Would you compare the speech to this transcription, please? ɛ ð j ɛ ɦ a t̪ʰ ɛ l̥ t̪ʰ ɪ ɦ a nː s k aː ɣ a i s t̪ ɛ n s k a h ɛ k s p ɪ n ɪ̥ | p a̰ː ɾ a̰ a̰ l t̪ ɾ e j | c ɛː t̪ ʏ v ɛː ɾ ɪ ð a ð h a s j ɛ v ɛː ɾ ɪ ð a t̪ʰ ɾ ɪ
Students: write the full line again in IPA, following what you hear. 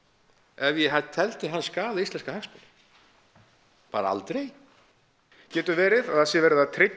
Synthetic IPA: ɛ v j ɛ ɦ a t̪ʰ ɛ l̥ t̪ ɪ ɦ a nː s k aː ð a i s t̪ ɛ n s k a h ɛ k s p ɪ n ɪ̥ | p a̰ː ɾ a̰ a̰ l t̪ ɾ e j | c ɛː t̪ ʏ v ɛː ɾ ɪ ð a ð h a s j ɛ v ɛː ɾ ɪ ð a t̪ʰ ɾ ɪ